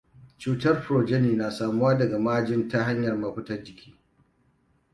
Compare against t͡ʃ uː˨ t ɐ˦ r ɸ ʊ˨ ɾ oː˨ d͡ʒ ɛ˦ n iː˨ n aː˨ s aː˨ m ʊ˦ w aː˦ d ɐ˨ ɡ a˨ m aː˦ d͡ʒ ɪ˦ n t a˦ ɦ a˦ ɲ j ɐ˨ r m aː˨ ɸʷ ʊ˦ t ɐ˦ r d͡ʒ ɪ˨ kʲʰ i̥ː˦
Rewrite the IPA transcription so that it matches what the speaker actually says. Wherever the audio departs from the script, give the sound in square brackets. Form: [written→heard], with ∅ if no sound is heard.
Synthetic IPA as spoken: t͡ʃ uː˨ t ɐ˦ r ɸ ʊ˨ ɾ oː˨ d͡ʒ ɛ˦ n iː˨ n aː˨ s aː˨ m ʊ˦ w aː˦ d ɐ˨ ɡ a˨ m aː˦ d͡ʒ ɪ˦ n t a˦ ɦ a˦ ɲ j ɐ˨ r m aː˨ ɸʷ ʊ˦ t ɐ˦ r d͡ʒ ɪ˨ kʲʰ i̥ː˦